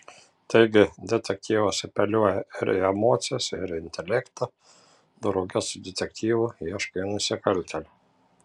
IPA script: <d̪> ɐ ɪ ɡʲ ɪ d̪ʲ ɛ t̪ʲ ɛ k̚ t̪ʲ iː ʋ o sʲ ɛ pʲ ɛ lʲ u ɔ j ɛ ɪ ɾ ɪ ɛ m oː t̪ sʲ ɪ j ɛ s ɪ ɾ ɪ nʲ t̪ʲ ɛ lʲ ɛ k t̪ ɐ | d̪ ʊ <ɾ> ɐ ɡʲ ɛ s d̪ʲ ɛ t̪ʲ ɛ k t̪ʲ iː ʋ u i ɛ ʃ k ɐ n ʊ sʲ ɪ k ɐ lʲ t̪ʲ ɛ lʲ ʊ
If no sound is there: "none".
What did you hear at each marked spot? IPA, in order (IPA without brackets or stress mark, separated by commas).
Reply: t̪, ɾ